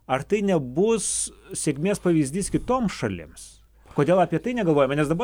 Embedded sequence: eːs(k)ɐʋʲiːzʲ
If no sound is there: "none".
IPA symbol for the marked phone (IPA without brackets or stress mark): p